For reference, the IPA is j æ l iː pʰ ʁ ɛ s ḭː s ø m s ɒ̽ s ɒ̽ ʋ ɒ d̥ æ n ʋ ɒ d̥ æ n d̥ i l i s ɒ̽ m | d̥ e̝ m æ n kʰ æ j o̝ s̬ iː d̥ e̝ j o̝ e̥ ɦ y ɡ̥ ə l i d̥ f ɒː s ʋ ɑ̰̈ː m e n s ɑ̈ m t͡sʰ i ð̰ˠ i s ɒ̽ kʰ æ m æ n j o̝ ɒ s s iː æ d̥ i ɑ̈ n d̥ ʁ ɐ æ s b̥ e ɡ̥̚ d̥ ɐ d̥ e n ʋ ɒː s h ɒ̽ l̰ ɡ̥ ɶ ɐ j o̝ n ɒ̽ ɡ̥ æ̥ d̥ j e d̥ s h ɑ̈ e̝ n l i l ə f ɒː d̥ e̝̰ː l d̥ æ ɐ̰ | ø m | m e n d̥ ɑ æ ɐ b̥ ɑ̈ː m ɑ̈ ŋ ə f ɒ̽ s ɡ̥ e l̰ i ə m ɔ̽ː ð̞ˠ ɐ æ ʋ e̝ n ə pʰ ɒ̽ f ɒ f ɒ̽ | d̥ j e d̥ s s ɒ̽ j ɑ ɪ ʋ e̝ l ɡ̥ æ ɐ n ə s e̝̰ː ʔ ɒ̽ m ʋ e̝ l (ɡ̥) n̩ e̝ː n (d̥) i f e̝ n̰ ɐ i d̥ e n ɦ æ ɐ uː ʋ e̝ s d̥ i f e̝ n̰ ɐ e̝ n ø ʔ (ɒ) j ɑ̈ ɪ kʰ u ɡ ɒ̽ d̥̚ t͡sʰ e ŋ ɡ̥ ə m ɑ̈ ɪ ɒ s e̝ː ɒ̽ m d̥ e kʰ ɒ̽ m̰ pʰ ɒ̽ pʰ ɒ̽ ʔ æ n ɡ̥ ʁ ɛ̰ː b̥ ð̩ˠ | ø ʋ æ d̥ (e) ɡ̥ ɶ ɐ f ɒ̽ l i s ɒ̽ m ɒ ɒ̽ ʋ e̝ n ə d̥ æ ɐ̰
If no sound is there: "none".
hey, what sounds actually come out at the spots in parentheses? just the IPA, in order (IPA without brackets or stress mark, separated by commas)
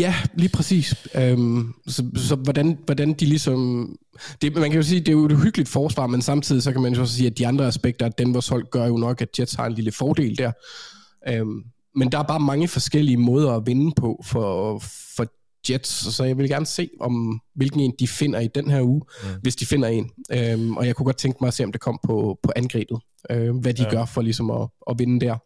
ɡ̥, d̥, ɒ, i